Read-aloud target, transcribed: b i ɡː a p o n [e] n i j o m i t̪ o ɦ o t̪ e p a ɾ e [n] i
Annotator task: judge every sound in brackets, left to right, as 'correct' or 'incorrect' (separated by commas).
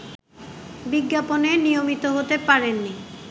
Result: correct, incorrect